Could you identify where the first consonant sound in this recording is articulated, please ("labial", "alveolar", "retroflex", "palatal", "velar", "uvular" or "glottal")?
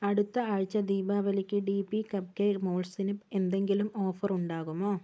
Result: retroflex